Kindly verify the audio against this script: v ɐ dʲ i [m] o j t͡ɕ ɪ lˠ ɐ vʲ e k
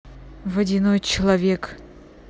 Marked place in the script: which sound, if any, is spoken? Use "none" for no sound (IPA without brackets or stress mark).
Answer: n